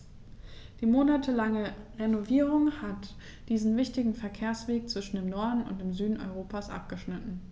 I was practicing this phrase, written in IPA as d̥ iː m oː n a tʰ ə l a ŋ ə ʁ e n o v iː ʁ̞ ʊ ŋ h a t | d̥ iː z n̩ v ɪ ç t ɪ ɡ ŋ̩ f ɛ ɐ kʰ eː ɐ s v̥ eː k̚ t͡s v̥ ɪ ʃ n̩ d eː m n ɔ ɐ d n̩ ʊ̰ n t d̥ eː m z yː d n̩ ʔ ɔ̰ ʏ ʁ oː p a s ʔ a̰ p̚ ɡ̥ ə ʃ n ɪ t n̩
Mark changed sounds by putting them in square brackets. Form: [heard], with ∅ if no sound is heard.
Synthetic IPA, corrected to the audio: d̥ iː m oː n a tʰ ə l a ŋ ə ʁ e n o v iː ʁ̞ ʊ ŋ h a t | d̥ iː z n̩ v ɪ ç t ɪ ɡ ŋ̩ f ɛ ɐ kʰ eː ɐ s v̥ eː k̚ t͡s v̥ ɪ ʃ n̩ d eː m n ɔ ɐ d n̩ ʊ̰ n t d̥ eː m z yː d n̩ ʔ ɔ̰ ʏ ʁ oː p a s ʔ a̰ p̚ ɡ̥ ə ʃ n ɪ t n̩